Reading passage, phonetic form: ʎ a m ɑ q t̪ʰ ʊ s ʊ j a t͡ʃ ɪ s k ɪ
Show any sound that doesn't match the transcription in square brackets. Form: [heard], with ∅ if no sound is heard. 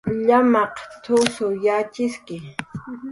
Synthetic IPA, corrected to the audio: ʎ a m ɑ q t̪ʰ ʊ s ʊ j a t͡ʃ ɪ s k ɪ